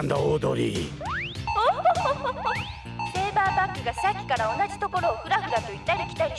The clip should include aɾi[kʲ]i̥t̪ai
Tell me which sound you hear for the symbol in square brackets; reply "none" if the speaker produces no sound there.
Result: kʲ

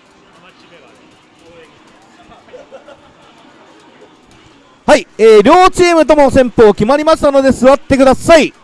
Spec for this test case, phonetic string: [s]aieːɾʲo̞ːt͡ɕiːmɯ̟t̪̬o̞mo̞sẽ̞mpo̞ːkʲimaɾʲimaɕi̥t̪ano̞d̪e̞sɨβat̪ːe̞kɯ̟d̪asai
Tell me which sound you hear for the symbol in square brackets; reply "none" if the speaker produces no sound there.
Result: h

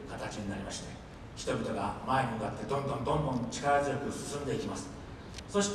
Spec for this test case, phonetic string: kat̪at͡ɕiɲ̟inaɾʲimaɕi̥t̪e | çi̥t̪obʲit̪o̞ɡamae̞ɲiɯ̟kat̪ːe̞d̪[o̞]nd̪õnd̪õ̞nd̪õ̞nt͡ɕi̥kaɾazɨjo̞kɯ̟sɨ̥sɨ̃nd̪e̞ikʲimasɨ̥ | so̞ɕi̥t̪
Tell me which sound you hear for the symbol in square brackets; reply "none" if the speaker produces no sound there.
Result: õ̞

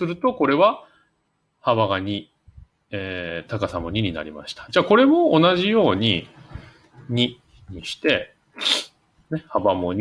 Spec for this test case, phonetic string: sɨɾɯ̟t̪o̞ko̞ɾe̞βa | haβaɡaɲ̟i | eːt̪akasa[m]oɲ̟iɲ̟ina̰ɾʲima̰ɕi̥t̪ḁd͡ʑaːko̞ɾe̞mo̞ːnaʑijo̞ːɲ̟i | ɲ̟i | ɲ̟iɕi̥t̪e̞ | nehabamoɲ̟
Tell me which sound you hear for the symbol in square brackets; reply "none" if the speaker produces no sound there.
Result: m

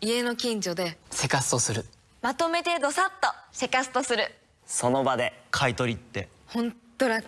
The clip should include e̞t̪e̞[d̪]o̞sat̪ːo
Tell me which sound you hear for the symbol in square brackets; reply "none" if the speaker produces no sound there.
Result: d̪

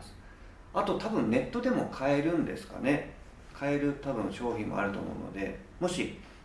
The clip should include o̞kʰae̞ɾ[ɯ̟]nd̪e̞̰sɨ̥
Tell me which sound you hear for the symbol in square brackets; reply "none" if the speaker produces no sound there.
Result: ɯ̟̃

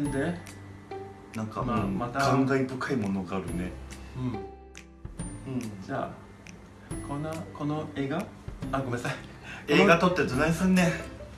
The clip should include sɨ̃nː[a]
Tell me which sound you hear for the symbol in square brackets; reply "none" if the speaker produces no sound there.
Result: e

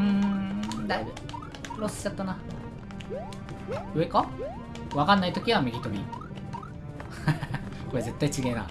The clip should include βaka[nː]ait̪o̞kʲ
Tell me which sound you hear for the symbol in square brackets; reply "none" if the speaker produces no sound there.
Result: nː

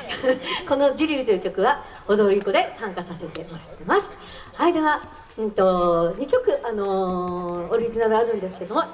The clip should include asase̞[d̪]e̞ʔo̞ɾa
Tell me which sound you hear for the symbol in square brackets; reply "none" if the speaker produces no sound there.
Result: t̪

